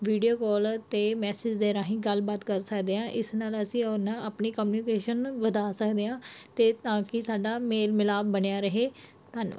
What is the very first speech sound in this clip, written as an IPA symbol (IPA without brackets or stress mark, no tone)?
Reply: ʋ